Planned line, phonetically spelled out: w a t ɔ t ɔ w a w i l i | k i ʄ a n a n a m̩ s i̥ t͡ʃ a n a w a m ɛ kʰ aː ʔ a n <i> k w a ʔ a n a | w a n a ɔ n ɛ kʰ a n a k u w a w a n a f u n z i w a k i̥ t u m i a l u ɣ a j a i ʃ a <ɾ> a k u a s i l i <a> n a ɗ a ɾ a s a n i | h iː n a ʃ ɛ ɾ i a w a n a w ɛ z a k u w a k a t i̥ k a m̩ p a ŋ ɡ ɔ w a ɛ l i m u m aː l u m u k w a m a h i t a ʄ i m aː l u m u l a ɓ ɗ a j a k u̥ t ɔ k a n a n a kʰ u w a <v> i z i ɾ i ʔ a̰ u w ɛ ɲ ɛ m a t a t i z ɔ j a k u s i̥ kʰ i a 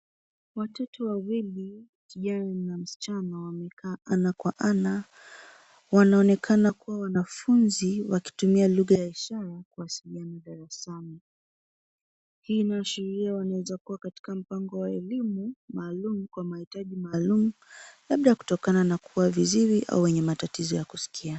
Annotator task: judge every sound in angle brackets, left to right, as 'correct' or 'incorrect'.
incorrect, correct, correct, correct

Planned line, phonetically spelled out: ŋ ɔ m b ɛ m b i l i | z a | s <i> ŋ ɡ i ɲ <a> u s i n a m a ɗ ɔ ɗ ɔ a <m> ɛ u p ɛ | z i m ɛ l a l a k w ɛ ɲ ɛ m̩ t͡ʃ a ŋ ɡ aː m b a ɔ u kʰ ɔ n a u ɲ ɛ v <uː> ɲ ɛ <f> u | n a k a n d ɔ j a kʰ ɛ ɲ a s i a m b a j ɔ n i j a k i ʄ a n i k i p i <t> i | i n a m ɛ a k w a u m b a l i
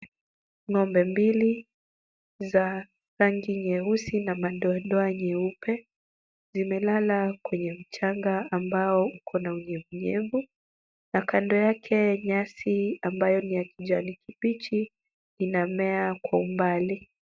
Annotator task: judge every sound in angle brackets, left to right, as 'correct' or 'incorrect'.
incorrect, incorrect, incorrect, incorrect, incorrect, incorrect

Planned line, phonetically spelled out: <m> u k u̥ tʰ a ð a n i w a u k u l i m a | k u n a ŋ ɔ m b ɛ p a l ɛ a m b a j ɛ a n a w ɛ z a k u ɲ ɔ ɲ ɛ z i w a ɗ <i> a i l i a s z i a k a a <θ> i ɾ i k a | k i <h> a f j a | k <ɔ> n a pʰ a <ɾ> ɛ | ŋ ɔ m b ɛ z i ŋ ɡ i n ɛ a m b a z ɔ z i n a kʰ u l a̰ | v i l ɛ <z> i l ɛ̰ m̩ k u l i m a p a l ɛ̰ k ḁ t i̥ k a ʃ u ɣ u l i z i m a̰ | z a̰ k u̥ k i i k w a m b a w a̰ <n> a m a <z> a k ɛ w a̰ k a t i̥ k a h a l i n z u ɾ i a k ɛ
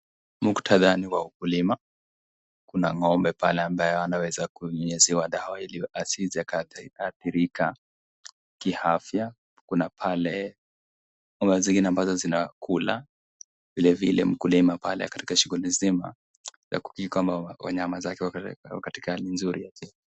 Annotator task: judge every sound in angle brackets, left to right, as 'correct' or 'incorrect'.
correct, incorrect, correct, correct, incorrect, incorrect, incorrect, incorrect, correct

